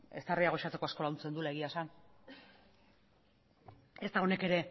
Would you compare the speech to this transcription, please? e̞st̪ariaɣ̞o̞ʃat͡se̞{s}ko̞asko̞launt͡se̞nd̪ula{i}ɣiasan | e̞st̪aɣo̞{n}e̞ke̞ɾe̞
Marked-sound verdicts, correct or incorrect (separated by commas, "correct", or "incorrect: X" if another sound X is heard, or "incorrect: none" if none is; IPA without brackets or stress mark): incorrect: none, incorrect: e, correct